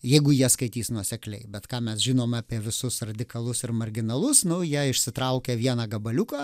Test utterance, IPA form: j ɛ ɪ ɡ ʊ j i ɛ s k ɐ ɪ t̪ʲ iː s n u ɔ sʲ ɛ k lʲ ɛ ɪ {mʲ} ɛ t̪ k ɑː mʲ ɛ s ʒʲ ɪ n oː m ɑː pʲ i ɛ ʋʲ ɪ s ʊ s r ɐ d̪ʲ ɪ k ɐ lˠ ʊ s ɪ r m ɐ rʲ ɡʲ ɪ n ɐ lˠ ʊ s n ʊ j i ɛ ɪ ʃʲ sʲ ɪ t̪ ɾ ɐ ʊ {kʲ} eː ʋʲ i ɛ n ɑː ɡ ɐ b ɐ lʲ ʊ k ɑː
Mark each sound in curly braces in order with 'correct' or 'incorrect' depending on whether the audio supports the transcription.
incorrect: bʲ, correct

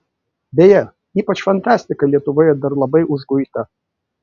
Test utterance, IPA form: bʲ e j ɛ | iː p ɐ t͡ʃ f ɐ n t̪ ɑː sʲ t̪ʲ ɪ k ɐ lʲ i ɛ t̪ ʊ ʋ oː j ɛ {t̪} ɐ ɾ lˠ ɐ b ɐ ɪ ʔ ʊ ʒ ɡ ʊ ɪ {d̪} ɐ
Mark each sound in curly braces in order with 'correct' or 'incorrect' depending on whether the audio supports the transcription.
incorrect: d̪, incorrect: t̪

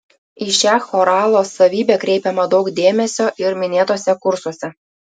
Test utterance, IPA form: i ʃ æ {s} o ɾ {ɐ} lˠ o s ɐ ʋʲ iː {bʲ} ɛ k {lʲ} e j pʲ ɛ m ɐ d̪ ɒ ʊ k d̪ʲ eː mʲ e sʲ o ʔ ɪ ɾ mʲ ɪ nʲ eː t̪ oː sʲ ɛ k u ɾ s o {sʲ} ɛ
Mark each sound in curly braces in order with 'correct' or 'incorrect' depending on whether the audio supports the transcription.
incorrect: x, incorrect: ɑ, correct, incorrect: ɾʲ, correct

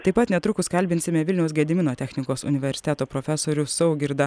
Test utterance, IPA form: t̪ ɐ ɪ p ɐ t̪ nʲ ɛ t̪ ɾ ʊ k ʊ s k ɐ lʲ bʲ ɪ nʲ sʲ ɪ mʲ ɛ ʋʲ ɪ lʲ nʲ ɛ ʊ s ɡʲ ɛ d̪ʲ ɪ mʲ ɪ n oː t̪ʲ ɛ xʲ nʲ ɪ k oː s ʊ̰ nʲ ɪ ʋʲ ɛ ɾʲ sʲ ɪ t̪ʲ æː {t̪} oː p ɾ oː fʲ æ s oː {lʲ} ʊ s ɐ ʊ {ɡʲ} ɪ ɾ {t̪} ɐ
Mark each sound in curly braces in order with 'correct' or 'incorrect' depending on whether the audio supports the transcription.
correct, incorrect: ɾʲ, correct, incorrect: d̪

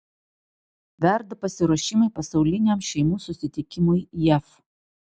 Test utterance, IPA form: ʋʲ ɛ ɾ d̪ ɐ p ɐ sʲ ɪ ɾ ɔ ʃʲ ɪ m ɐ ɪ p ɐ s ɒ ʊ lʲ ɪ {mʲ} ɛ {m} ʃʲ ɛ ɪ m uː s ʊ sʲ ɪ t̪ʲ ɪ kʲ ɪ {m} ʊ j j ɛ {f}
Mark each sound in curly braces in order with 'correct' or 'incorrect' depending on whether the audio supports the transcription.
incorrect: nʲ, correct, correct, correct

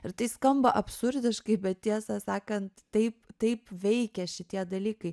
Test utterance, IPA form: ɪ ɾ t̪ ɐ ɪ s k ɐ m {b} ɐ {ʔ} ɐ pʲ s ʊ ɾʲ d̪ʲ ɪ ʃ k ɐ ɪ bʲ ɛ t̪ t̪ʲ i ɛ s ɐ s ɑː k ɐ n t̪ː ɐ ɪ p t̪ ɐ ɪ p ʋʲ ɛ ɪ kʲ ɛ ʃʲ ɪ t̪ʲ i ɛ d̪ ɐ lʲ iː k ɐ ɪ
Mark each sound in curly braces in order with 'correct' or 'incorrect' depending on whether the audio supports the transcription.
correct, correct

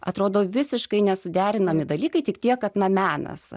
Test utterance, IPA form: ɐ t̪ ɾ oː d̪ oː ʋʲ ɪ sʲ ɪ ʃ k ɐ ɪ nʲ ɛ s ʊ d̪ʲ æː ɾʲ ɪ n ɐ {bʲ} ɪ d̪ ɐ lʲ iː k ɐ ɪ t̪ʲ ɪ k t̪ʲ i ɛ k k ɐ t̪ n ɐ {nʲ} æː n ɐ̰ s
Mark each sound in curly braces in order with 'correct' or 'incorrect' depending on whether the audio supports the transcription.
incorrect: mʲ, incorrect: mʲ

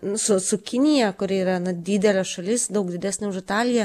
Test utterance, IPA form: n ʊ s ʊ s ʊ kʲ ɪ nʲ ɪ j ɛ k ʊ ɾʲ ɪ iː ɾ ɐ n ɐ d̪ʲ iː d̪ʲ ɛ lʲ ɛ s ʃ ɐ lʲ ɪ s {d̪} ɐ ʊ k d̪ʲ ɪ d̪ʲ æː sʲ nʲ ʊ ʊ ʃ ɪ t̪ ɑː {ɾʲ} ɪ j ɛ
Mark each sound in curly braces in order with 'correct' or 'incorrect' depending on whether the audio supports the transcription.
correct, incorrect: lʲ

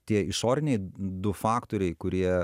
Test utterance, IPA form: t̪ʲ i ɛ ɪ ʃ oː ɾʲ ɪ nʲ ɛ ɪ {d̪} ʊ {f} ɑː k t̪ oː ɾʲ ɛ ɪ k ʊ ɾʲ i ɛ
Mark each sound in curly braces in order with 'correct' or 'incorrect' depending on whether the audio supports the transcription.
correct, correct

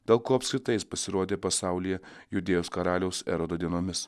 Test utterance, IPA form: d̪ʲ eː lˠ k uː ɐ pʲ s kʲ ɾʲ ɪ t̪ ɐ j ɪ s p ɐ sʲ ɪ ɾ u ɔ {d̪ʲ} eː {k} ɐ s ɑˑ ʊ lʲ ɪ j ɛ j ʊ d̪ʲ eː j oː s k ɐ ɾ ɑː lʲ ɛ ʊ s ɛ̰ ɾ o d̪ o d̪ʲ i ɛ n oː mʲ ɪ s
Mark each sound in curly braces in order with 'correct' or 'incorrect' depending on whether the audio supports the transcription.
correct, incorrect: p

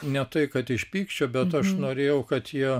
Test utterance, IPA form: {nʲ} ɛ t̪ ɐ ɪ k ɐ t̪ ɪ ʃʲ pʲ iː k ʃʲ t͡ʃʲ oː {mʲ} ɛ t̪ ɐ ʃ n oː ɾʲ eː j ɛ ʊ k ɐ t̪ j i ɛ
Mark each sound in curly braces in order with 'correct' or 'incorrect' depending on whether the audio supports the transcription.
correct, incorrect: bʲ

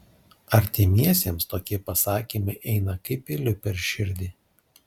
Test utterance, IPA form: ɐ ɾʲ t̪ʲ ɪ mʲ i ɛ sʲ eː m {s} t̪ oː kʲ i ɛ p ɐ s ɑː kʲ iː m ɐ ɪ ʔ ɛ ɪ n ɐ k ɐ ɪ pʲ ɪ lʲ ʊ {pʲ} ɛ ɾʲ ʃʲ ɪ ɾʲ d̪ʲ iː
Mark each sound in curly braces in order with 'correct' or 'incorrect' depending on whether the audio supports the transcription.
correct, correct

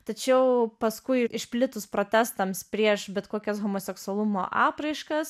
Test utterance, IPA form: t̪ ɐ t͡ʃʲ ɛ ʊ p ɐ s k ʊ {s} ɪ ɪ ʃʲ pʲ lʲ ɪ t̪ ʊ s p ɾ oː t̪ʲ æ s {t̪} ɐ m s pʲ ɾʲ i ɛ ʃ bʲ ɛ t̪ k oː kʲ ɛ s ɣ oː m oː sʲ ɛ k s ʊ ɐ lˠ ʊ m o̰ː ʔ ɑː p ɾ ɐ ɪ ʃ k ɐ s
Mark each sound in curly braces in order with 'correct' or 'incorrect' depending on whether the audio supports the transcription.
incorrect: none, correct

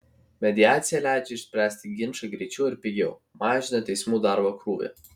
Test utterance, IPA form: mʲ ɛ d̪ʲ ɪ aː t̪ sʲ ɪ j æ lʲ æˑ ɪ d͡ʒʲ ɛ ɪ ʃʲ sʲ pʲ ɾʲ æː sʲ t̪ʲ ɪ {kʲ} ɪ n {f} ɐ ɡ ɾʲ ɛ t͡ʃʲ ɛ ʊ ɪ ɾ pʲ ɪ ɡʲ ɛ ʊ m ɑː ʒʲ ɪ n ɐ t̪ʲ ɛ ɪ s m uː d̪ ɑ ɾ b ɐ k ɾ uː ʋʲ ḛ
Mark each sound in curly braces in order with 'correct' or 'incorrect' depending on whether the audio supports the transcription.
incorrect: ɡʲ, incorrect: ʃ

